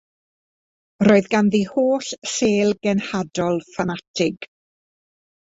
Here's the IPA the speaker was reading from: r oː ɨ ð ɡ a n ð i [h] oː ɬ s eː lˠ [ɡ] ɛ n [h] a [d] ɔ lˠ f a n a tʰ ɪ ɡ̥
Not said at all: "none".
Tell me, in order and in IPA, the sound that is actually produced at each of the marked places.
h, ɡ, h, d

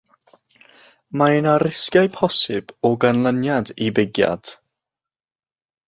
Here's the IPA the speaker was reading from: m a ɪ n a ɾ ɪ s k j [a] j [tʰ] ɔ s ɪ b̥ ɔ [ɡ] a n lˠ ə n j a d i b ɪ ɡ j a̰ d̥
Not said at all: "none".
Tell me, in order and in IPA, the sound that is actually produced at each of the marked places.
a, pʰ, ɡ

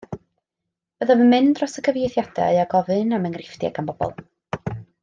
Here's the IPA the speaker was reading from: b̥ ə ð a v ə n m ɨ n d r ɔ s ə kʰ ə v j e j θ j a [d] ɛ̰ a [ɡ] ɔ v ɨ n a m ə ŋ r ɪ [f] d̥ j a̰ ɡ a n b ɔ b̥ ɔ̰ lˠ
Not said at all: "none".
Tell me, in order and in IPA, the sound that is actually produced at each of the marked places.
d, ɡ, f

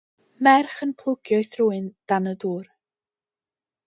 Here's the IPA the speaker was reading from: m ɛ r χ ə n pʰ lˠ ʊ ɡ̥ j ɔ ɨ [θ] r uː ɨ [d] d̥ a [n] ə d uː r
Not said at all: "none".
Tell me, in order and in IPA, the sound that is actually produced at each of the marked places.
θ, n, n

